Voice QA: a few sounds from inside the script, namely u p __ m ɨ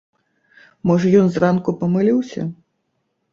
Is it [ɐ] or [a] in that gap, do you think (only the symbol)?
ɐ